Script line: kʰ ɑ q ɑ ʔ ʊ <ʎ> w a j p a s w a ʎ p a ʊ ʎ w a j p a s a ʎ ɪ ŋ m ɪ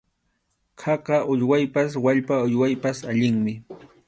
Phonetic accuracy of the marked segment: correct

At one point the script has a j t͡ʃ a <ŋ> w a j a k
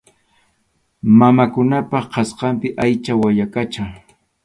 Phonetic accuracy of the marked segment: incorrect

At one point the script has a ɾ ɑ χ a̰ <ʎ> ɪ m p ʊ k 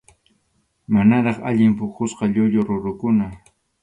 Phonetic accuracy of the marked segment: correct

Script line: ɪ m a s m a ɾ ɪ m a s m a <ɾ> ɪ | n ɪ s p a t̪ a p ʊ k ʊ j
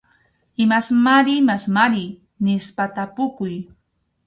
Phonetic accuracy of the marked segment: correct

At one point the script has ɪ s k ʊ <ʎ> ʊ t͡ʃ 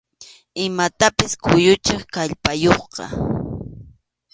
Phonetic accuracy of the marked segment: incorrect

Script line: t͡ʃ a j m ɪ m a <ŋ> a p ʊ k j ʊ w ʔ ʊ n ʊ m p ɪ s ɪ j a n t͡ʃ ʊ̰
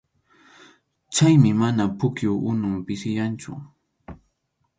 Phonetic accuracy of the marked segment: incorrect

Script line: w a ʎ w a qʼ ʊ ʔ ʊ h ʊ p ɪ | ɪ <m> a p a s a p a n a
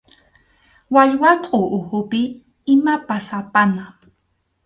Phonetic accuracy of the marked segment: correct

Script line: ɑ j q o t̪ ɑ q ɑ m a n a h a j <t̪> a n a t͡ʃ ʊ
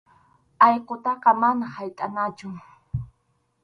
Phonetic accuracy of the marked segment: incorrect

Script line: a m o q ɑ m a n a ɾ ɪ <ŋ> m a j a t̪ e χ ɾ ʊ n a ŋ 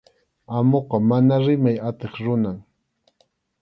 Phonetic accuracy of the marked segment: incorrect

